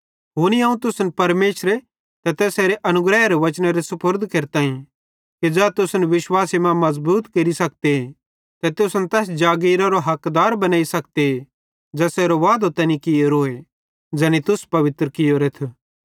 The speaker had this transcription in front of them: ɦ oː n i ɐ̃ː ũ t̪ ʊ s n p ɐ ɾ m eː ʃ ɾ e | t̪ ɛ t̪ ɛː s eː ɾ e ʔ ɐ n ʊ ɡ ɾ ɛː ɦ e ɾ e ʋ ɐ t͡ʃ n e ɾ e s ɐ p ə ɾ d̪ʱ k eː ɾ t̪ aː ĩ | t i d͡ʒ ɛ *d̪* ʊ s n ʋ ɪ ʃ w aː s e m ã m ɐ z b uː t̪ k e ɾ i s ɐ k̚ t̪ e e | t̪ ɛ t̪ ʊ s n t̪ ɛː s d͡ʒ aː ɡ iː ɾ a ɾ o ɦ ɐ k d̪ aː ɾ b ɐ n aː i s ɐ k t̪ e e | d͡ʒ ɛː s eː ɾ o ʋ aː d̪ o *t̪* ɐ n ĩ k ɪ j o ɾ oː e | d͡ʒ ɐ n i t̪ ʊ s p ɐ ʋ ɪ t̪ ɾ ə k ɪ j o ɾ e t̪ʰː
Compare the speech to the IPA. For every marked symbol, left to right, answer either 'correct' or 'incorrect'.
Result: incorrect, correct

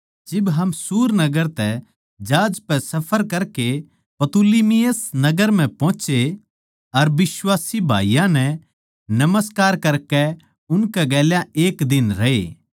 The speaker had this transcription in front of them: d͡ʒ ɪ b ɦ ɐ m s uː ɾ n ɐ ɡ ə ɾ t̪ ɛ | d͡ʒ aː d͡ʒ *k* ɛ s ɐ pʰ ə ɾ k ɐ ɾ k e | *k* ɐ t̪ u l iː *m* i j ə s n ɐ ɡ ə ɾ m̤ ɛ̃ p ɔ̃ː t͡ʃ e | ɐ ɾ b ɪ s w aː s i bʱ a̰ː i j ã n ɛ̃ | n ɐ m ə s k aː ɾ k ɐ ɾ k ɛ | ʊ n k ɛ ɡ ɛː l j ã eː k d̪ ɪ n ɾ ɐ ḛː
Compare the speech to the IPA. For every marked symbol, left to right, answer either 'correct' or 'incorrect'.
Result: incorrect, incorrect, correct

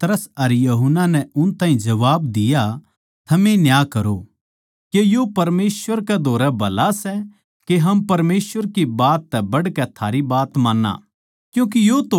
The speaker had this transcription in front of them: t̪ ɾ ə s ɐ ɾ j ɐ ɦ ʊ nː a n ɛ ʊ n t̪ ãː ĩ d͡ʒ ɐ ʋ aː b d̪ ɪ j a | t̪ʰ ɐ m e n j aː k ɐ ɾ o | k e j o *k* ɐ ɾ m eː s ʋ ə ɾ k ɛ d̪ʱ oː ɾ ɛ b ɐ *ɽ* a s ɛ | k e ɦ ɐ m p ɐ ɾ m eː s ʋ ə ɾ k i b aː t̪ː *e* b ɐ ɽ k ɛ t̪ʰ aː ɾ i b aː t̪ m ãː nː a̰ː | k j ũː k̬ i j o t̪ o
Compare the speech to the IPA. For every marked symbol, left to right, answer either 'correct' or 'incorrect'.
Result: incorrect, incorrect, incorrect

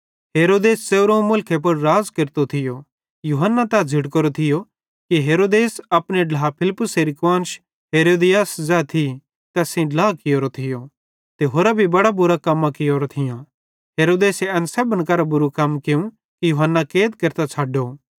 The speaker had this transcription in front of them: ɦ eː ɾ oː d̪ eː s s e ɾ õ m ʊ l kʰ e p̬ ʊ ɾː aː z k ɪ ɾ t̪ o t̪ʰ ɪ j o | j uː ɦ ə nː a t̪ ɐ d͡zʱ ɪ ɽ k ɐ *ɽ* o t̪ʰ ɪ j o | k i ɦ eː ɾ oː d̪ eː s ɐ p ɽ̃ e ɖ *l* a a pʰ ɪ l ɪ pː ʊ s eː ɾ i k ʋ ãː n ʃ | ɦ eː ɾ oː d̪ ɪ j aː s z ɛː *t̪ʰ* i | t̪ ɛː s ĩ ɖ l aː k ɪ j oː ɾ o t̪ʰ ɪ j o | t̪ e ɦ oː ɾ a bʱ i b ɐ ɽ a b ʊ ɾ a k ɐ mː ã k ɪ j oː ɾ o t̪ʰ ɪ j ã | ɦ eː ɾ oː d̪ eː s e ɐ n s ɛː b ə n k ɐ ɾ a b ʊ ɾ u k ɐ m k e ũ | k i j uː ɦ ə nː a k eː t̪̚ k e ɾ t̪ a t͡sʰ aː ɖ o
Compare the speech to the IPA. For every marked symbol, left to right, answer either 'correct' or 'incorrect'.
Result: incorrect, correct, correct

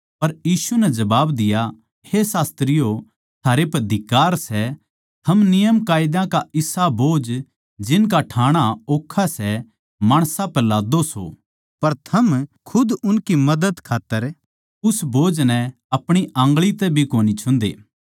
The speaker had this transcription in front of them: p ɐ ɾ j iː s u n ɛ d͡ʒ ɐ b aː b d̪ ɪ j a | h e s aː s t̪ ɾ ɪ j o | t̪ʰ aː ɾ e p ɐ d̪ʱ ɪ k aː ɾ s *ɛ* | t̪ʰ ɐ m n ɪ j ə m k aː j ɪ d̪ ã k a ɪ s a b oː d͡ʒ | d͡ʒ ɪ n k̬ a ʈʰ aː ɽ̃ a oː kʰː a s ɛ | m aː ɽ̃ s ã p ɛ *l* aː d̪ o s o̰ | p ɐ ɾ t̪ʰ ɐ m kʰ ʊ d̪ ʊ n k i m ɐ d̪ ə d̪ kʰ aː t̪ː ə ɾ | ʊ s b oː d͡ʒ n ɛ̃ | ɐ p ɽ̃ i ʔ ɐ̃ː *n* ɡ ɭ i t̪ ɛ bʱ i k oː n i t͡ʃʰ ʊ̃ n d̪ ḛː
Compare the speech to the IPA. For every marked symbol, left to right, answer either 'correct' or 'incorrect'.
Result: correct, correct, incorrect

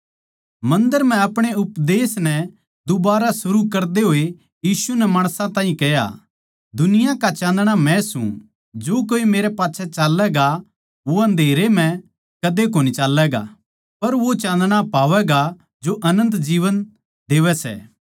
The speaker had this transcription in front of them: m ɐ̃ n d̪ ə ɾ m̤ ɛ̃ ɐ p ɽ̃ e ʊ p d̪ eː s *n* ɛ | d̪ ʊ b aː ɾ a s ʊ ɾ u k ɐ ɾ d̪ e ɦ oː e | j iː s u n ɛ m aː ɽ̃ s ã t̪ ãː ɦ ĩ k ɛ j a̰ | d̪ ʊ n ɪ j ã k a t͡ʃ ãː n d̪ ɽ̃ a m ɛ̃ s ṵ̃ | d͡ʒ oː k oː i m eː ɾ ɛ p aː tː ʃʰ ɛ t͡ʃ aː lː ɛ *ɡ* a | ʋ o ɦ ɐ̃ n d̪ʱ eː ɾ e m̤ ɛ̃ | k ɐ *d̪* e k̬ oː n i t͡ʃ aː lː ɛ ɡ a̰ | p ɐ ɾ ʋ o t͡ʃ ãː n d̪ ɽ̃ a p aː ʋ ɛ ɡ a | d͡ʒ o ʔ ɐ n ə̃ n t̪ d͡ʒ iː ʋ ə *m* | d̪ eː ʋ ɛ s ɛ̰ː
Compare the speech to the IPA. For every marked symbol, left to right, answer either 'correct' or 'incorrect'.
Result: correct, correct, correct, incorrect

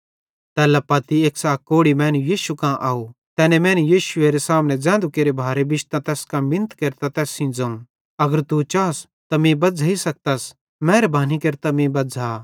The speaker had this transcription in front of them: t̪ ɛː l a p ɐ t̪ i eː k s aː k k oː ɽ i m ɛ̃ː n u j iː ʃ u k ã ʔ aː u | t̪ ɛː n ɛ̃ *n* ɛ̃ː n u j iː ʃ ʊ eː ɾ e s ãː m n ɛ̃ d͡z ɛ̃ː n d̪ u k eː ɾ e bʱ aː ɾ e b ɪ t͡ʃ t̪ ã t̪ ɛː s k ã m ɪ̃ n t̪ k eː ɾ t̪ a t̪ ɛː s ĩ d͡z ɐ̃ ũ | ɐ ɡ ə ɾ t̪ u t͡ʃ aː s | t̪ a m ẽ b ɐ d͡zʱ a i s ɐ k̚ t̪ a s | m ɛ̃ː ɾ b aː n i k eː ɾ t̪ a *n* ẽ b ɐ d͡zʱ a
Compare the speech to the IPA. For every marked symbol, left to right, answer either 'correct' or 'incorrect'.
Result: incorrect, incorrect

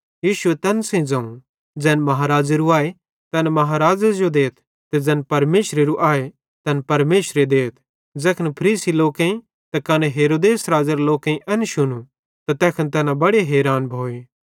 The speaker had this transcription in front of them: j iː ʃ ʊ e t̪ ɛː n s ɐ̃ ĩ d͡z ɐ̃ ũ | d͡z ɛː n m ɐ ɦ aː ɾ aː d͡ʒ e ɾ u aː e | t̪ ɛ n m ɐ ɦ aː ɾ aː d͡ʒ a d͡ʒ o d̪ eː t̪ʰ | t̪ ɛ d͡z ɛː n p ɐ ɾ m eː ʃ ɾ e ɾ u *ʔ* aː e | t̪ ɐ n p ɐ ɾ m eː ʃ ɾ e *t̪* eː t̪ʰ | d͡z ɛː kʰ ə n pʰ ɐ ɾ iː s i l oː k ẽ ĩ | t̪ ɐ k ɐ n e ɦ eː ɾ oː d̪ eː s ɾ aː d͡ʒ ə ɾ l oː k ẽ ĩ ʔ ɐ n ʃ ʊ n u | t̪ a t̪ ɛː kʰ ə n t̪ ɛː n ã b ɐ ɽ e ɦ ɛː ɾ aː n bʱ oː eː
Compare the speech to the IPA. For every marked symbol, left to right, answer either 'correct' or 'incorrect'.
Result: correct, incorrect

